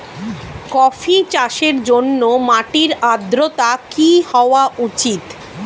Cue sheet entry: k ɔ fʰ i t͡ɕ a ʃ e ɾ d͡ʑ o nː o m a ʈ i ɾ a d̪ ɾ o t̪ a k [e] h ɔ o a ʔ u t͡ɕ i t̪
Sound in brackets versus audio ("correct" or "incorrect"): incorrect